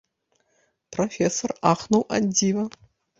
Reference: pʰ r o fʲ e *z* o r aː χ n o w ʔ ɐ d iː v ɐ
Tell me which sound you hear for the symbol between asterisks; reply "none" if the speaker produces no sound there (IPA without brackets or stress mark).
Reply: s